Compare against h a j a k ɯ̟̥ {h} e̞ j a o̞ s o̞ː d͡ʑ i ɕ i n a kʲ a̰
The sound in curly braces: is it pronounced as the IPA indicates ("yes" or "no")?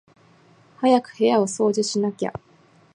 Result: yes